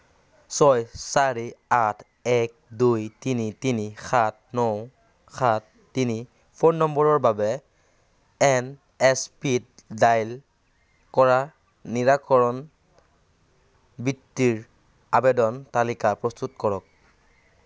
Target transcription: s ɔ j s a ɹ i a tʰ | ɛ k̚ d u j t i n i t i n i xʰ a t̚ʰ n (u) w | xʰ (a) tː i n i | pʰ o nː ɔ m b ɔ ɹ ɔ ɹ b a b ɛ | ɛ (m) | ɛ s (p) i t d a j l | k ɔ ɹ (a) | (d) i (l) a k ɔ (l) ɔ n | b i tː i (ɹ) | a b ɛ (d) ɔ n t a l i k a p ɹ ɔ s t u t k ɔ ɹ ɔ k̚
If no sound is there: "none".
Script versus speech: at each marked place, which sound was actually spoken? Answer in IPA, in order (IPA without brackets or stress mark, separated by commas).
ɔ, a, n, p, a, n, ɹ, ɹ, ɹ, d